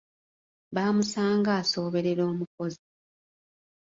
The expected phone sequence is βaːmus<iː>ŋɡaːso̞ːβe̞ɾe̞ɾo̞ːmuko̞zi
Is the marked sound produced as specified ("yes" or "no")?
no